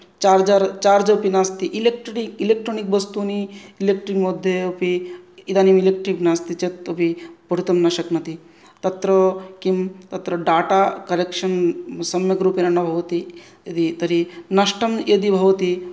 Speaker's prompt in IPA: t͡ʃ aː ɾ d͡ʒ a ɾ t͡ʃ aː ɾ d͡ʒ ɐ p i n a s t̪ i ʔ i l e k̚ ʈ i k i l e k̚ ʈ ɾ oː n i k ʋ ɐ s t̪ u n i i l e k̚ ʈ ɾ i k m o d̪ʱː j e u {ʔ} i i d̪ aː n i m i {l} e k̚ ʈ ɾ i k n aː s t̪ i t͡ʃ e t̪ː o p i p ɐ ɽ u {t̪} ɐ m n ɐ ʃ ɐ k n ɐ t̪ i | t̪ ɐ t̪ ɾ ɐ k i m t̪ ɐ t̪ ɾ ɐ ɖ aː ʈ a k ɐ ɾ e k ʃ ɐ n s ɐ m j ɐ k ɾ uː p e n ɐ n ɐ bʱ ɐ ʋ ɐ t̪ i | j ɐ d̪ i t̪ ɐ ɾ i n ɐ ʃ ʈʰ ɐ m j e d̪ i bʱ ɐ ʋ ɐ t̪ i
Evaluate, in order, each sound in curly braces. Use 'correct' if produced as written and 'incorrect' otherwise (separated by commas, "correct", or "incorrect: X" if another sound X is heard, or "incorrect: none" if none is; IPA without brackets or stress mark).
incorrect: p, correct, correct